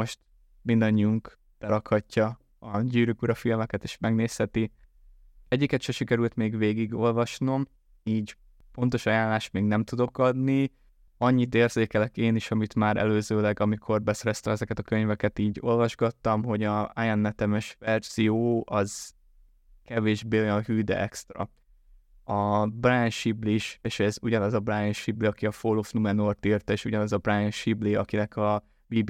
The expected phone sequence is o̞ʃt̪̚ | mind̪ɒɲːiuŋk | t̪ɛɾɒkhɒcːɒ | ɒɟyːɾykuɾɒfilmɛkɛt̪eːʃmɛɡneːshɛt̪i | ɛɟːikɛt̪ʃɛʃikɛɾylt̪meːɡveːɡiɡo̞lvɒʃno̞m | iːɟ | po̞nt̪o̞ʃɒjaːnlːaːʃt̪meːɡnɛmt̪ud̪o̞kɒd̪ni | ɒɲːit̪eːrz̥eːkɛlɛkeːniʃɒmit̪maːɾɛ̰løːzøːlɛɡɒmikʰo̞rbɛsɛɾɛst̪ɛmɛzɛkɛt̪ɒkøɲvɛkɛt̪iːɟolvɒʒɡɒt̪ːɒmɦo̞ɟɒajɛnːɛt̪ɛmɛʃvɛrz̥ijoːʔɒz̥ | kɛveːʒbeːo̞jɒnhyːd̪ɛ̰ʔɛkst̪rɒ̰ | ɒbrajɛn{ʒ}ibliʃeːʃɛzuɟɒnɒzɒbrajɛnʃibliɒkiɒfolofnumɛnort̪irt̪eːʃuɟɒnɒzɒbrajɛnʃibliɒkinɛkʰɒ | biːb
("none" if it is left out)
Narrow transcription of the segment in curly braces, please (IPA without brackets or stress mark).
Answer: ʃ